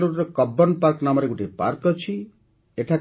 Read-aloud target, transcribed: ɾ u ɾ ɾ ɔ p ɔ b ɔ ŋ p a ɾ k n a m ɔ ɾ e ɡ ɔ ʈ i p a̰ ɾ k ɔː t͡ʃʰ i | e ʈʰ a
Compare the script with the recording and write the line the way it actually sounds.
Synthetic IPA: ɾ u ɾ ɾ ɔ k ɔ b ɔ n p a ɾ k n a m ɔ ɾ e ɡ u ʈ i p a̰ ɾ k ɔ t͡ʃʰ i | e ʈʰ a